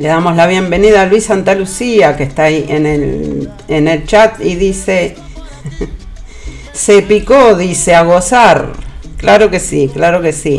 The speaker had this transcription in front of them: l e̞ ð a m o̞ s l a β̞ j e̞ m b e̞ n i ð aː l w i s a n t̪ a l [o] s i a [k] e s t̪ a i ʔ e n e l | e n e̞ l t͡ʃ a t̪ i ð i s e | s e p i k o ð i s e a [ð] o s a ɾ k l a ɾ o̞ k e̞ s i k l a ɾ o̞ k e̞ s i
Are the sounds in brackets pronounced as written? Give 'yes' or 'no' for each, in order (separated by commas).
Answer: no, yes, no